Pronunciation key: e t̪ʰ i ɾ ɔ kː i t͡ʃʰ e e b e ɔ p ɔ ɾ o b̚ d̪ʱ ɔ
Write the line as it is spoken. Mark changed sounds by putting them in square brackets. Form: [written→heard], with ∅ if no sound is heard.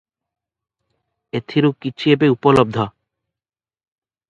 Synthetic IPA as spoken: e t̪ʰ i ɾ [ɔ→u] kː i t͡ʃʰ [e→i] e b e [ɔ→u] p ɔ [ɾ→l] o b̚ d̪ʱ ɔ